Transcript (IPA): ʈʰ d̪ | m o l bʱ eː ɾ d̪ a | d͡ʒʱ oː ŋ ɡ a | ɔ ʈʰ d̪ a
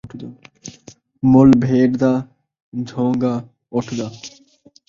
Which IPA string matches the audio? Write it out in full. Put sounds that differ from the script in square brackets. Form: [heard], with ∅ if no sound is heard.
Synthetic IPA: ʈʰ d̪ | m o l bʱ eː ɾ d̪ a | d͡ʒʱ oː ŋ ɡ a | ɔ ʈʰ d̪ a